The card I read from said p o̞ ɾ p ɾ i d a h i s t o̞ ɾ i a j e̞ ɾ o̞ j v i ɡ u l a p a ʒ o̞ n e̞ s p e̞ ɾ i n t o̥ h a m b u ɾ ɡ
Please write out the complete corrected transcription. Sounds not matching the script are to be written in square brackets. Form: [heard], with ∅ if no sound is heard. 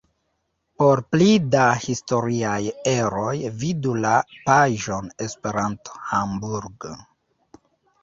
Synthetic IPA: p o̞ ɾ p [l] i d a h i s t o̞ ɾ i a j e̞ ɾ o̞ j v i [d] u l a p a ʒ o̞ n e̞ s p e̞ ɾ [a] n t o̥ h a m b u ɾ ɡ